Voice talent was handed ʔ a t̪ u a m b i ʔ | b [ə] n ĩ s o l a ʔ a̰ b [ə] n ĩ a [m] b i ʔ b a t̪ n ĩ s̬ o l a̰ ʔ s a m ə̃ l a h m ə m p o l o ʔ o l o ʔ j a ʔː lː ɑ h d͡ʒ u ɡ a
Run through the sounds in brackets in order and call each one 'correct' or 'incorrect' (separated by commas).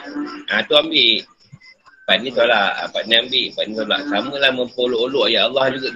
incorrect, incorrect, correct